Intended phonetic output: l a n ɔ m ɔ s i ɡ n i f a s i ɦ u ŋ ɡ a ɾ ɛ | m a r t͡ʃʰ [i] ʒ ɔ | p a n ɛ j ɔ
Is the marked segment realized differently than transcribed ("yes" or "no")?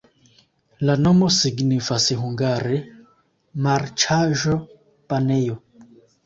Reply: yes